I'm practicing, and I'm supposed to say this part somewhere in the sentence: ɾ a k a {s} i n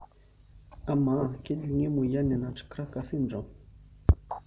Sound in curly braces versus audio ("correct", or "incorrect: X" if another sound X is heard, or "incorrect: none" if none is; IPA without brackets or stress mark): correct